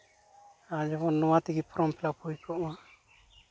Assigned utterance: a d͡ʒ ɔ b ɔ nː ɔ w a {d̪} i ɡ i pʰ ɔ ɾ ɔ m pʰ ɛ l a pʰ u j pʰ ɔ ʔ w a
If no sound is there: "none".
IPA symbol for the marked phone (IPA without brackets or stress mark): t̪